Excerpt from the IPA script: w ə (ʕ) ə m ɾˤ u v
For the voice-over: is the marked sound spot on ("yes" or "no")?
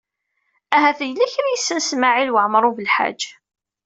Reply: yes